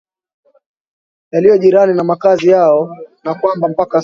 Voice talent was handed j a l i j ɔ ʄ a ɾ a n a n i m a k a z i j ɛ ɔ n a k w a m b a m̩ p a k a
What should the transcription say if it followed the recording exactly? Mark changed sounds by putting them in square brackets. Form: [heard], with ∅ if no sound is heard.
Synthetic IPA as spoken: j a l i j ɔ ʄ [i] ɾ a n [i] n [a] m a k a z i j [a] ɔ n a k w a m b a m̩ p a k a